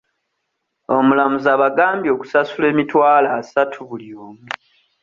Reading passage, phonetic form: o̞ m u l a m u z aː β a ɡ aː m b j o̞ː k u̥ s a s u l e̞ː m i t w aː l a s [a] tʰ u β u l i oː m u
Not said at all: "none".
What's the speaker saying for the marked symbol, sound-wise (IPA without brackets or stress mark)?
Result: a